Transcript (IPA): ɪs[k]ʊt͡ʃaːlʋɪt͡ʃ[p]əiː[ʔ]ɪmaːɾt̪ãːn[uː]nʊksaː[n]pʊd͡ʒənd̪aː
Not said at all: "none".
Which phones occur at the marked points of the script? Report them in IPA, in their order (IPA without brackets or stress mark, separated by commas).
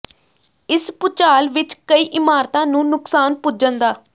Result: p, k, ʔ, ũː, n